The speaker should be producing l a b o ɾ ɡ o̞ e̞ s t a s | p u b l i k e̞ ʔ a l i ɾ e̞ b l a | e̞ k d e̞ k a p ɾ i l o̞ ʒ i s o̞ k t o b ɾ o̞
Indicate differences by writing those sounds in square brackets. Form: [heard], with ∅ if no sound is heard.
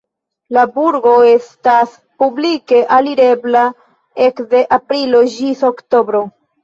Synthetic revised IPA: l a b [u] ɾ ɡ o̞ e̞ s t a s | p u b l i k e̞ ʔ a l i ɾ e̞ b l a | e̞ k d e̞ [ʔ] a p ɾ i l o̞ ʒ i s o̞ k t o b ɾ o̞

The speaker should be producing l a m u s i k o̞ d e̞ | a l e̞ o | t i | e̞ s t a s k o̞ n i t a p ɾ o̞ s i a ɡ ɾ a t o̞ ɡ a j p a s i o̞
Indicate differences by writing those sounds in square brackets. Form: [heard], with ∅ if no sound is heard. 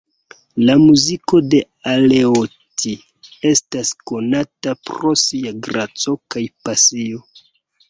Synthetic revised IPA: l a m u [z] i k o̞ d e̞ | a l e̞ o | t i | e̞ s t a s k o̞ n [a] t a p ɾ o̞ s i a ɡ ɾ a [t͡s] o̞ [k] a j p a s i o̞

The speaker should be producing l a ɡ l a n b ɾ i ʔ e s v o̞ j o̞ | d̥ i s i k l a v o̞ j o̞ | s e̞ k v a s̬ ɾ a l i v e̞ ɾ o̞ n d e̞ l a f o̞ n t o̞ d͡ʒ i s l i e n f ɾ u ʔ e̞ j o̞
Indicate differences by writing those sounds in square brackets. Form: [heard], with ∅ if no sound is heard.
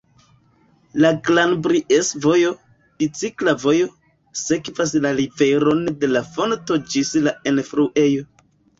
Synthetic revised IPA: l a ɡ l a n b ɾ i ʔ e s v o̞ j o̞ | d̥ i [t͡s] i k l a v o̞ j o̞ | s e̞ k v a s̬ [l] a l i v e̞ ɾ o̞ n d e̞ l a f o̞ n t o̞ d͡ʒ i s l [a] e n f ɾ u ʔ e̞ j o̞

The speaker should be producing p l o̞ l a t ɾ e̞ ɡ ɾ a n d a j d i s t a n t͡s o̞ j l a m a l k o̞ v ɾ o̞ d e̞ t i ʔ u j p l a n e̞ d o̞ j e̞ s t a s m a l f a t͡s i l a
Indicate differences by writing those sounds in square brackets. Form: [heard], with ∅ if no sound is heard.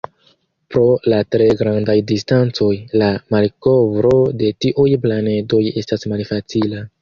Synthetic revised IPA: p [ɾ] o̞ l a t ɾ e̞ ɡ ɾ a n d a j d i s t a n t͡s o̞ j l a m a l k o̞ v ɾ o̞ d e̞ t i ʔ u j p l a n e̞ d o̞ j e̞ s t a s m a l f a t͡s i l a

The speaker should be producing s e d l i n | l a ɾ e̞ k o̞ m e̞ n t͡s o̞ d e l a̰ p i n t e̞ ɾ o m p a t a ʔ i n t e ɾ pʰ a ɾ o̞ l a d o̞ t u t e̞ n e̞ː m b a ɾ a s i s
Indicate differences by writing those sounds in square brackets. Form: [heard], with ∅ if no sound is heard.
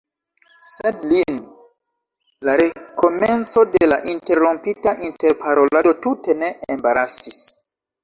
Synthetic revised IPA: s e d l i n | l a ɾ e̞ k o̞ m e̞ n t͡s o̞ d e l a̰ [ʔ] i n t e̞ ɾ o m p [i] t a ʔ i n t e ɾ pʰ a ɾ o̞ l a d o̞ t u t e̞ n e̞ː m b a ɾ a s i s

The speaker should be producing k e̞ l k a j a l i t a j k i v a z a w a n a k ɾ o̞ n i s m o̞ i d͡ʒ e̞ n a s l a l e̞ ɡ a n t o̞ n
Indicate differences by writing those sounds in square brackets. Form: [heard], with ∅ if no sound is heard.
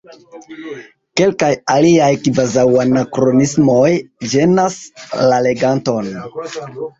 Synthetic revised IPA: k e̞ l k a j a l i [∅] a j k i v a z a w a n a k ɾ o̞ n i s m o̞ [j] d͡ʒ e̞ n a s l a l e̞ ɡ a n t o̞ n

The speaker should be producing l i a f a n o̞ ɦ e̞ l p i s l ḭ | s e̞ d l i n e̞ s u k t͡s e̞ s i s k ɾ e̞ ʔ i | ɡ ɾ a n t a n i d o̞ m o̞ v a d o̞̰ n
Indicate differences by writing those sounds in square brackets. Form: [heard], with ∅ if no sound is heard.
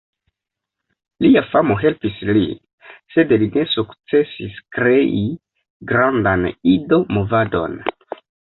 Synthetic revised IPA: l i a f a [m] o̞ ɦ e̞ l p i s l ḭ | s e̞ d l i n e̞ s u k t͡s e̞ s i s k ɾ e̞ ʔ i | ɡ ɾ a n [d] a n i d o̞ m o̞ v a d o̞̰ n

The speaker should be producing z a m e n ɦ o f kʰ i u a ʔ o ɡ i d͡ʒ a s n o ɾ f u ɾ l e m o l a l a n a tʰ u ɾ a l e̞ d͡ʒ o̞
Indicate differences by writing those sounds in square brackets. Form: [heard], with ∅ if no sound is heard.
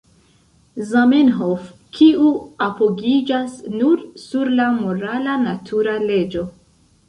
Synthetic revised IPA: z a m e n ɦ o f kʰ i u a [p] o ɡ i d͡ʒ a s n [u] ɾ [s] u ɾ l [a] m o [ɾ] a l a n a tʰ u ɾ a l e̞ d͡ʒ o̞

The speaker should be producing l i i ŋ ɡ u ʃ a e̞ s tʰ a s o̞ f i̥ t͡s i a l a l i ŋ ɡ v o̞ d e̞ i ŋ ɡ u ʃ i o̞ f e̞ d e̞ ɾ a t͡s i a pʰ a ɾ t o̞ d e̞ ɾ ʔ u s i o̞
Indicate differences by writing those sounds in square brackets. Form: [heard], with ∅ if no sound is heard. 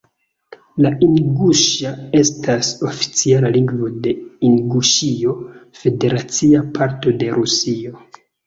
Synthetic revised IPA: l [a] i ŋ ɡ u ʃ a e̞ s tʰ a s o̞ f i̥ t͡s i a l a l i ŋ ɡ v o̞ d e̞ i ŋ ɡ u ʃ i o̞ f e̞ d e̞ ɾ a t͡s i a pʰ a ɾ t o̞ d e̞ ɾ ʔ u s i o̞

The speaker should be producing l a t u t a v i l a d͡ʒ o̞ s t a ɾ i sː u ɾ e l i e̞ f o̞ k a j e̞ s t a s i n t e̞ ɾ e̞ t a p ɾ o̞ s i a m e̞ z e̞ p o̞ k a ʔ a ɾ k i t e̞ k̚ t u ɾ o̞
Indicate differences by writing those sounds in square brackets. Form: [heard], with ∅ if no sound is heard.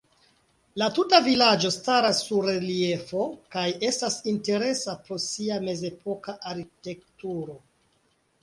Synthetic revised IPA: l a t u t a v i l a d͡ʒ o̞ s t a ɾ [a] sː u ɾ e l i e̞ f o̞ k a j e̞ s t a s i n t e̞ ɾ e̞ [s] a p ɾ o̞ s i a m e̞ z e̞ p o̞ k a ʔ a ɾ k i t e̞ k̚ t u ɾ o̞

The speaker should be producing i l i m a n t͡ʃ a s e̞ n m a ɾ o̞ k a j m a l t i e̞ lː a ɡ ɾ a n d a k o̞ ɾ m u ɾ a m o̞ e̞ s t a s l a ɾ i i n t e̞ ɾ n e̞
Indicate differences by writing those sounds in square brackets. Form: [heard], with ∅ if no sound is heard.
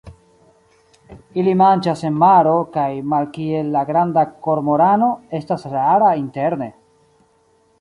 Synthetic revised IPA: i l i m a n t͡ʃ a s e̞ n m a ɾ o̞ k a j m a l [k] i e̞ lː a ɡ ɾ a n d a k o̞ ɾ m [o] ɾ a [n] o̞ e̞ s t a s [ɾ] a ɾ [a] i n t e̞ ɾ n e̞

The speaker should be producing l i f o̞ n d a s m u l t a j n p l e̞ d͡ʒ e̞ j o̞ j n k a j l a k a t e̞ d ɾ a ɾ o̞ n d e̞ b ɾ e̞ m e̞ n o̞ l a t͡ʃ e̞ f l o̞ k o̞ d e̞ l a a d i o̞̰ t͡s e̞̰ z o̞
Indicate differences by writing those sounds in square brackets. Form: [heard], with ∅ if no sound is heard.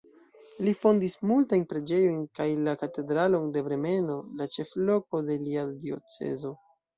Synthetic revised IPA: l i f o̞ n d [i] s m u l t a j n p [ɾ] e̞ d͡ʒ e̞ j o̞ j n k a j l a k a t e̞ d ɾ a [l] o̞ n d e̞ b ɾ e̞ m e̞ n o̞ l a t͡ʃ e̞ f l o̞ k o̞ d e̞ l [i] a d i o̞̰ t͡s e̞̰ z o̞

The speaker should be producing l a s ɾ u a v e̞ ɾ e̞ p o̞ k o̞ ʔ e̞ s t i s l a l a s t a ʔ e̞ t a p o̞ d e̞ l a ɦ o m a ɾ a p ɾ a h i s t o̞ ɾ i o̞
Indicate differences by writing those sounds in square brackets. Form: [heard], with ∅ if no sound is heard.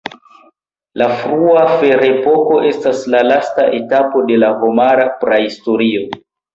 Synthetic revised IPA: l a [f] ɾ u a [f] e̞ ɾ e̞ p o̞ k o̞ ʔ e̞ s t [a] s l a l a s t a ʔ e̞ t a p o̞ d e̞ l a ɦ o m a ɾ a p ɾ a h i s t o̞ ɾ i o̞

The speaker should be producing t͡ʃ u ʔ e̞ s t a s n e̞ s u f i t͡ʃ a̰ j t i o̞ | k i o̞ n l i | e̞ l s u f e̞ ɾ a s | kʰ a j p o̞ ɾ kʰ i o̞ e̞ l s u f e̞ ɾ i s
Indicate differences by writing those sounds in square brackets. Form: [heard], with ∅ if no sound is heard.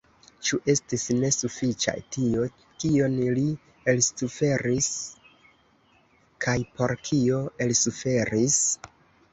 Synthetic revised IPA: t͡ʃ u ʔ e̞ s t [i] s n e̞ s u f i t͡ʃ a̰ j t i o̞ | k i o̞ n l i | e̞ l s u f e̞ ɾ [i] s | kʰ a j p o̞ ɾ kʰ i o̞ e̞ l s u f e̞ ɾ i s

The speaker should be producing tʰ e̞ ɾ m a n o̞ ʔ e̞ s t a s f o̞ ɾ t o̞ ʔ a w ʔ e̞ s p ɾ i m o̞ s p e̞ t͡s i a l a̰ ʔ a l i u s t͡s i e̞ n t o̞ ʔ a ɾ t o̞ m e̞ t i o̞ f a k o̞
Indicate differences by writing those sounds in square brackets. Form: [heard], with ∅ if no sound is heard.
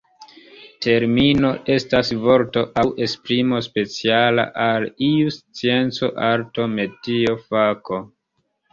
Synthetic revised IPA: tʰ e̞ ɾ m [i] n o̞ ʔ e̞ s t a s [v] o̞ ɾ t o̞ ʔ a w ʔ e̞ s p ɾ i m o̞ s p e̞ t͡s i a l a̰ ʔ a l i u s t͡s i e̞ n [t͡s] o̞ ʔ a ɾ t o̞ m e̞ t i o̞ f a k o̞

